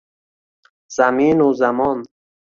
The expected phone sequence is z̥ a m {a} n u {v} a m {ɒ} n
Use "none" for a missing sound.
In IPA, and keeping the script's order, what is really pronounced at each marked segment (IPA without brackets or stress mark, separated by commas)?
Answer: i, z, ɔ